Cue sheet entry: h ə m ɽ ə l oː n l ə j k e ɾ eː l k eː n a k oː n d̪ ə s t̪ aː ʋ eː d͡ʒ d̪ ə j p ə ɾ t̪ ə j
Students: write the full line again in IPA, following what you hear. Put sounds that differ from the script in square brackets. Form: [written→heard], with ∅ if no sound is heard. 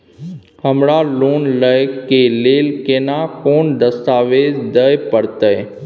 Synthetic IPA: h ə m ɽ [ə→a] l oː n l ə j k e [ɾ→l] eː l k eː n a k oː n d̪ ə s t̪ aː ʋ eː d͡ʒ d̪ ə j p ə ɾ t̪ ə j

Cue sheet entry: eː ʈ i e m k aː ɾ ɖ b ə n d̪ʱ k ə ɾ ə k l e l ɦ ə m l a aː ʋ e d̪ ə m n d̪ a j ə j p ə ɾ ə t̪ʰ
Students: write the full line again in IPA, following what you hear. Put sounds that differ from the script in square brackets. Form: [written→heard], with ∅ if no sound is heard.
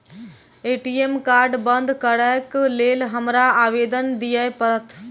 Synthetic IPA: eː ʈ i e m k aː ɾ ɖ b ə n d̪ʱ k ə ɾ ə k l e l ɦ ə m [l→ɾ] a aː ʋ e d̪ ə [m→∅] n d̪ [a→i] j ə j p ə ɾ ə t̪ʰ

